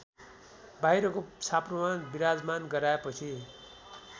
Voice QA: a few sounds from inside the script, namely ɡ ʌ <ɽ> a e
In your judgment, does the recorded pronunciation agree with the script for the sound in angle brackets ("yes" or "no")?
no